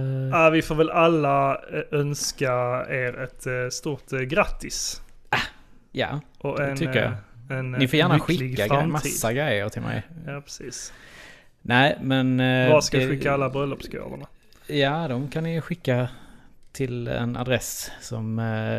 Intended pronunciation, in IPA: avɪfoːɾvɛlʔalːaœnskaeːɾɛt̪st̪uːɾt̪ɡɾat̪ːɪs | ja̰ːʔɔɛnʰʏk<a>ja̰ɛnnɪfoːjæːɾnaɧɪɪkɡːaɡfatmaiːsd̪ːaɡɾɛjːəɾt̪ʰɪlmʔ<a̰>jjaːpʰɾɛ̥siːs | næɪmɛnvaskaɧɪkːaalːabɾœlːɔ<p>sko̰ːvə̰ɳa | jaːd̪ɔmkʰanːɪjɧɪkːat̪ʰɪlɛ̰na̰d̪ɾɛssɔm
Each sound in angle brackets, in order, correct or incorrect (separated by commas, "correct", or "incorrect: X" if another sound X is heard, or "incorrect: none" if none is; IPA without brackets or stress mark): incorrect: ə, incorrect: ɛ̰, correct